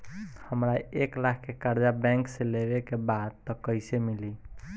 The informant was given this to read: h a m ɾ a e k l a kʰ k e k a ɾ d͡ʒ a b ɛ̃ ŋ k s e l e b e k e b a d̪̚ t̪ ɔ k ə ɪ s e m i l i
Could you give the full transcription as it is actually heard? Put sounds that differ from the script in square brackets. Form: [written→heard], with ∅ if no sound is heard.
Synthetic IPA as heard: h [a→ə] m ɾ a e k l a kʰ k e k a ɾ d͡ʒ a b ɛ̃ ŋ k s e l e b e k e b a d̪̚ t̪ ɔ k ə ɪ s e m i l i